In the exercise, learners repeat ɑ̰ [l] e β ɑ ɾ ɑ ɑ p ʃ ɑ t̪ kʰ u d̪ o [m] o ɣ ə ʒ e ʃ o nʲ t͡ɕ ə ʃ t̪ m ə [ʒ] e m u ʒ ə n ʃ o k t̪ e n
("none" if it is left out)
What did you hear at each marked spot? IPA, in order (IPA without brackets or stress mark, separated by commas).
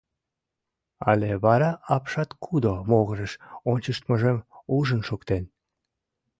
l, m, ʒ